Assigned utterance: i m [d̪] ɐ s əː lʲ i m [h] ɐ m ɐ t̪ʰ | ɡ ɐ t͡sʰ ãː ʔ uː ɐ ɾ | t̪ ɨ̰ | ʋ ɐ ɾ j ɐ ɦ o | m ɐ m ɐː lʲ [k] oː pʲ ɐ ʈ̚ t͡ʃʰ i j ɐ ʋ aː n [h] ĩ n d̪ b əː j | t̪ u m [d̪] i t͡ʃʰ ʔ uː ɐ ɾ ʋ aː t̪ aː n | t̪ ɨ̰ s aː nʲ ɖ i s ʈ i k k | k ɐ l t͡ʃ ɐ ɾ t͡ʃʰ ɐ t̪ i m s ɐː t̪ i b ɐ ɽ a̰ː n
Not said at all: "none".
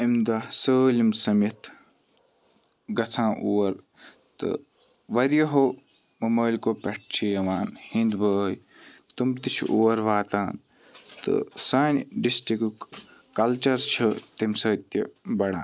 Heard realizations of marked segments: d̪, s, k, h, t̪

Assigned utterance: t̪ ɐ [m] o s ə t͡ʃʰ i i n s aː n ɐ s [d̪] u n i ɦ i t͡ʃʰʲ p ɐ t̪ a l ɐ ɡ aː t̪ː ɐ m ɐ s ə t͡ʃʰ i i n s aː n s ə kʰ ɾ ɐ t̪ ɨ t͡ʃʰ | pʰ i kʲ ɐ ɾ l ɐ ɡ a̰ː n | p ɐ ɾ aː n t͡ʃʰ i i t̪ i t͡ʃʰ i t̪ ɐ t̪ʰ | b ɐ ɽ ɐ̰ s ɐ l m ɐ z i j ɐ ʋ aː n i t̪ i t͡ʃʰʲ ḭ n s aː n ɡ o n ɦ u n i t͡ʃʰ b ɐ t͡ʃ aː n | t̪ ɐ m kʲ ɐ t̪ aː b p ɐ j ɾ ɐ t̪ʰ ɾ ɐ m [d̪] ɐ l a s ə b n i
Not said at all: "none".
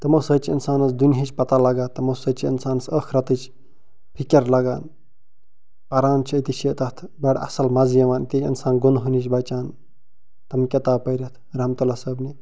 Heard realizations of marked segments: m, d̪, t̪

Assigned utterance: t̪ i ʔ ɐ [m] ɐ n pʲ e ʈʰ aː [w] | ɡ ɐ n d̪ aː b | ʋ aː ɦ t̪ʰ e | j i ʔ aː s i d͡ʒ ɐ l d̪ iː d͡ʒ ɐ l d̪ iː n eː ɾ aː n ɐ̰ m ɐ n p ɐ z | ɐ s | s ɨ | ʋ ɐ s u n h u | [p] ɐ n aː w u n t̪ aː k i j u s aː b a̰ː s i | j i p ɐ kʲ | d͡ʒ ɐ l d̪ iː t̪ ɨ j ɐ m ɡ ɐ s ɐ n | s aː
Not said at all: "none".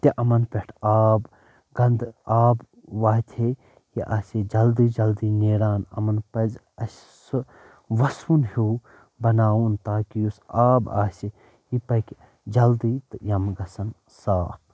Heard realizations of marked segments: m, b, b

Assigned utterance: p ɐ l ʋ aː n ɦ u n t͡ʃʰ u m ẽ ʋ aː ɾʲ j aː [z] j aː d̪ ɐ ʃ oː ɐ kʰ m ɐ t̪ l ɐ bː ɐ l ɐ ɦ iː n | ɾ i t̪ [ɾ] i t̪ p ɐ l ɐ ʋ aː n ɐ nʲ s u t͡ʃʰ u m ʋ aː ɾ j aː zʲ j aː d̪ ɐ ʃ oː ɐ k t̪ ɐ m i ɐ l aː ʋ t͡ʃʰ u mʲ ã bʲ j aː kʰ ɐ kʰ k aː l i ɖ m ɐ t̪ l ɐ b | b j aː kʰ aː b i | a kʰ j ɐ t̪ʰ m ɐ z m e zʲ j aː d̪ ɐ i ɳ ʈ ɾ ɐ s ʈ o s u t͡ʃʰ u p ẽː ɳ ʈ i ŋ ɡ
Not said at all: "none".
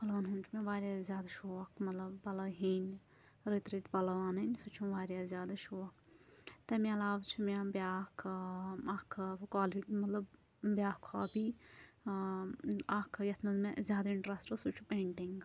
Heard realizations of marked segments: z, ɾ

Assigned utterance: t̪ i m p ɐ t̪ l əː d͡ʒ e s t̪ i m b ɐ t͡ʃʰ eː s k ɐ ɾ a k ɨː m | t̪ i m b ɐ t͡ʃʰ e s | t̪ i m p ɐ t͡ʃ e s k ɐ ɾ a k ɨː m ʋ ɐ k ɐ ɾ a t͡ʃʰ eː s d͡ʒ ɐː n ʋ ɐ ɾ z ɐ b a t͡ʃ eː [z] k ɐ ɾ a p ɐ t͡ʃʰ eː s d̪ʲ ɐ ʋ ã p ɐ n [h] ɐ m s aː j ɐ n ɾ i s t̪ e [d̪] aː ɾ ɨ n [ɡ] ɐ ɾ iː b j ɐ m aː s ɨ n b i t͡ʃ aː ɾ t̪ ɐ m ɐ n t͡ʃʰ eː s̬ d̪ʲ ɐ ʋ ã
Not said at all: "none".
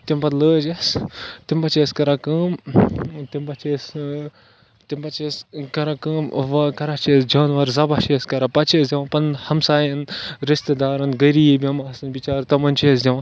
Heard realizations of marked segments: s, h, d̪, ɡ

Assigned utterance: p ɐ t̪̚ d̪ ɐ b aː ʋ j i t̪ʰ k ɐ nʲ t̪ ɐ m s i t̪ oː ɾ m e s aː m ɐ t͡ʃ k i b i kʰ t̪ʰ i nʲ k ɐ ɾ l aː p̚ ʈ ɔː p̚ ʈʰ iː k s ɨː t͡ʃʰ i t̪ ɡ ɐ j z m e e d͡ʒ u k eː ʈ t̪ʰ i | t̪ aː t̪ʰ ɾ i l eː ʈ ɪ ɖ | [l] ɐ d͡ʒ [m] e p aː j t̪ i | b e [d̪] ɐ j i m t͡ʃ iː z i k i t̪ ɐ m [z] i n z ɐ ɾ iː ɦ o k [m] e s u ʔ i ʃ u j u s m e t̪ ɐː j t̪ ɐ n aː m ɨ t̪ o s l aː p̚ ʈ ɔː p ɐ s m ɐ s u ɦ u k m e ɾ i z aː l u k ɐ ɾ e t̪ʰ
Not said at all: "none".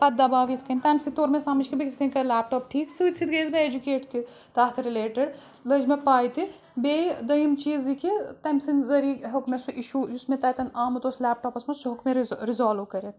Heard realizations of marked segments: l, m, d̪, s, m

